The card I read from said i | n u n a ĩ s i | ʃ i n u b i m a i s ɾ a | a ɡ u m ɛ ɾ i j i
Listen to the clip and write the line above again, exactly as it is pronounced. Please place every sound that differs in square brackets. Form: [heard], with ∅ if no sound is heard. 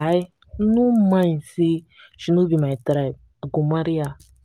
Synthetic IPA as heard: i | n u [m] a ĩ s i | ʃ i n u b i m a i [t] ɾ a | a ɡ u m [a] ɾ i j [a]